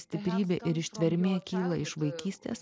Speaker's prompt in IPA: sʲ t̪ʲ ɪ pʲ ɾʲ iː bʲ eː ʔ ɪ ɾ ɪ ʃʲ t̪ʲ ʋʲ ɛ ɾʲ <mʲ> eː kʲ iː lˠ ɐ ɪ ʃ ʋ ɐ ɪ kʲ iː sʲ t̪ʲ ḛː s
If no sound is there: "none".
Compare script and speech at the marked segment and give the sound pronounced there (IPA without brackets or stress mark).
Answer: mʲ